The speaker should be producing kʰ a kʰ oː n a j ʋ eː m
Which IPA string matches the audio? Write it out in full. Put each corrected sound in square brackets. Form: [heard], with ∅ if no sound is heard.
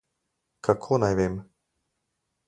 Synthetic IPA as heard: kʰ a kʰ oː n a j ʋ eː m